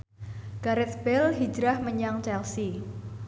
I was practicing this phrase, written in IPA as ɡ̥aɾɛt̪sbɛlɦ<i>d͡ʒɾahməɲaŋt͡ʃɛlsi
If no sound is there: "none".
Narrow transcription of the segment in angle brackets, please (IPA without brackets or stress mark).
i